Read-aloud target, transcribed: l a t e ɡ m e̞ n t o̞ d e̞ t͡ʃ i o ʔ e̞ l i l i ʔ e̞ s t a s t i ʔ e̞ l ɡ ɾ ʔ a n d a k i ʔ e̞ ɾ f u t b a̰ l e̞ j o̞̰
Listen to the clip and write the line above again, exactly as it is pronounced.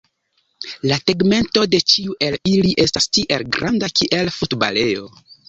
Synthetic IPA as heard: l a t e ɡ m e̞ n t o̞ d e̞ t͡ʃ i u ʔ e̞ l i l i ʔ e̞ s t a s t i ʔ e̞ l ɡ ɾ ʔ a n d a k i ʔ e̞ l f u t b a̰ l e̞ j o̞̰

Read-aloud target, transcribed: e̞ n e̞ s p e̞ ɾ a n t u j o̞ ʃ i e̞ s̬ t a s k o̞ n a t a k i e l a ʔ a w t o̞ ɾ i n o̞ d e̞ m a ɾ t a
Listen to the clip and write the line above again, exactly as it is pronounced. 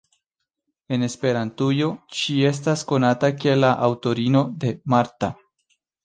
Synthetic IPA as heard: e̞ n e̞ s p e̞ ɾ a n t u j o̞ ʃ i e̞ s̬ t a s k o̞ n a t a k i e l a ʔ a w t o̞ ɾ i n o̞ d e̞ m a ɾ t a

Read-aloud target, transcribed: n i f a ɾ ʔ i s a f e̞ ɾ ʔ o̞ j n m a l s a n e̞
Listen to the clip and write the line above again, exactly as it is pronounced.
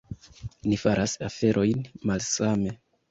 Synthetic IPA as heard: n i f a ɾ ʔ a s a f e̞ ɾ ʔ o̞ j n m a l s a m e̞

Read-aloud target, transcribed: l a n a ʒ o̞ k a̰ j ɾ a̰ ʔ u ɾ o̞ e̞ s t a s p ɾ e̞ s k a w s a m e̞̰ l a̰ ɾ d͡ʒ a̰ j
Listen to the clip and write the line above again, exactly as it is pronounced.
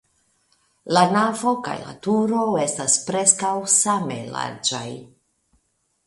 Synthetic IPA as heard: l a n a v o̞ k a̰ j l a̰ t u ɾ o̞ e̞ s t a s p ɾ e̞ s k a w s a m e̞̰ l a̰ ɾ d͡ʒ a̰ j

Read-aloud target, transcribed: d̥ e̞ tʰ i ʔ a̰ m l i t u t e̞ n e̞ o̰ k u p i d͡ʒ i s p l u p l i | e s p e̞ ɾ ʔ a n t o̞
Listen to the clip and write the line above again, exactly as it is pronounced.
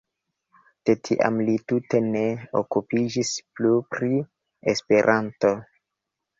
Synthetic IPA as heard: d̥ e̞ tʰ i ʔ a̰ m l i t u t e̞ n e̞ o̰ k u p i d͡ʒ i s p l u p ɾ i | e s p e̞ ɾ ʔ a n t o̞

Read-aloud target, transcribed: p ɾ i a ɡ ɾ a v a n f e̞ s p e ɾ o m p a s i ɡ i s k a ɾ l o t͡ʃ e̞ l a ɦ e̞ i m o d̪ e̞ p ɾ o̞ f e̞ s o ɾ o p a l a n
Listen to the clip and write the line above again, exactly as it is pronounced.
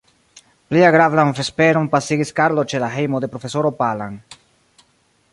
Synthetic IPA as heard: p l i a ɡ ɾ a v a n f e̞ s p e ɾ o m p a s i ɡ i s k a ɾ l o t͡ʃ e̞ l a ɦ e̞ j m o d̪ e̞ p ɾ o̞ f e̞ s o ɾ o p a l a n

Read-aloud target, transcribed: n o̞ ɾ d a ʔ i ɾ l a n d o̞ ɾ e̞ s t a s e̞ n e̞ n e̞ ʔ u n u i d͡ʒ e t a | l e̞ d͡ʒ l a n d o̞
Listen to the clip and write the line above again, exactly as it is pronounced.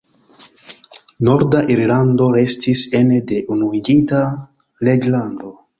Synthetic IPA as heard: n o̞ ɾ d a ʔ i ɾ l a n d o̞ ɾ e̞ s t i s e̞ n e̞ d e̞ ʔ u n u i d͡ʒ i t a | l e̞ d͡ʒ l a n d o̞

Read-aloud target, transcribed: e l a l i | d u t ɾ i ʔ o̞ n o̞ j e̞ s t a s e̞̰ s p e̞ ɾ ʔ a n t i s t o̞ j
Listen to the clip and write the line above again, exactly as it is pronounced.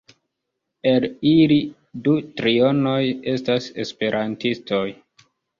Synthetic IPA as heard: e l i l i | d u t ɾ i o̞ n o̞ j e̞ s t a s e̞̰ s p e̞ ɾ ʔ a n t i s t o̞ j

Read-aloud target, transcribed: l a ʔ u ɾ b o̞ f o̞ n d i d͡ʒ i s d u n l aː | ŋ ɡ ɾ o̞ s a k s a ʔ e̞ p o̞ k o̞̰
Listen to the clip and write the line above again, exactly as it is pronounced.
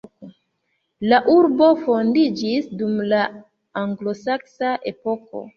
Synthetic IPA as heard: l a ʔ u ɾ b o̞ f o̞ n d i d͡ʒ i s d u m l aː | ŋ ɡ l o̞ s a k s a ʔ e̞ p o̞ k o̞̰

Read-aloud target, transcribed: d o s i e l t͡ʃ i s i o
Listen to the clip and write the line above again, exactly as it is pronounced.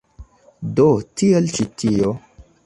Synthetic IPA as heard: d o t i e l t͡ʃ i t i o

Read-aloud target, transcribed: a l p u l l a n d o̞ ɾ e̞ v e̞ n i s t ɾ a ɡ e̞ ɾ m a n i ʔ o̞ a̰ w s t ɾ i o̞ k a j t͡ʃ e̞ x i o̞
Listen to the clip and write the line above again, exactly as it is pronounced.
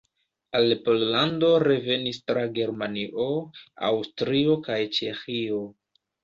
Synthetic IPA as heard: a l p o l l a n d o̞ ɾ e̞ v e̞ n i s t ɾ a ɡ e̞ ɾ m a n i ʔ o̞ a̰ w s t ɾ i o̞ k a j t͡ʃ e̞ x i o̞

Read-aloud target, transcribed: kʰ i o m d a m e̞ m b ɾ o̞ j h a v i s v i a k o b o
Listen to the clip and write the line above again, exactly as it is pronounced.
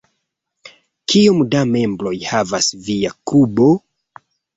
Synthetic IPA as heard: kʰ i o m d a m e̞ m b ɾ o̞ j h a v a s v i a k u b o

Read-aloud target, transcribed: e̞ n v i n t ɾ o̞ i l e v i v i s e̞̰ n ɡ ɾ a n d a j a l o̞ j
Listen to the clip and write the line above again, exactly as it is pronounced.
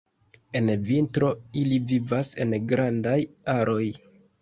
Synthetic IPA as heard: e̞ n v i n t ɾ o̞ i l i v i v a s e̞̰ n ɡ ɾ a n d a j a ɾ o̞ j

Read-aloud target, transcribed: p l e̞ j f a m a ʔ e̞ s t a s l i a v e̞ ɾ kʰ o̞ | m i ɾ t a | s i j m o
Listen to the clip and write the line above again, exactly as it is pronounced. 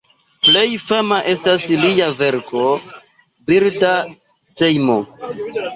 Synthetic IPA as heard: p l e̞ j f a m a ʔ e̞ s t a s l i a v e̞ ɾ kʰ o̞ | b i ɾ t a | s e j m o

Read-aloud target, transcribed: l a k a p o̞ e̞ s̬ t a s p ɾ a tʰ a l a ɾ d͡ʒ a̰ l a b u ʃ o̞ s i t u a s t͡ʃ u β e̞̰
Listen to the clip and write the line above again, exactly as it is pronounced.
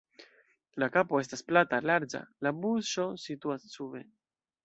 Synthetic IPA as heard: l a k a p o̞ e̞ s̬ t a s p l a t a l a ɾ d͡ʒ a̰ l a b u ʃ o̞ s i t u a s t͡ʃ u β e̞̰

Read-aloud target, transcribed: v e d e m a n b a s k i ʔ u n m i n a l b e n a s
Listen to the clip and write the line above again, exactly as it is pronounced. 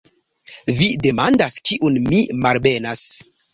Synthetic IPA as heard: v i d e m a n d a s k i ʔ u n m i m a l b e n a s

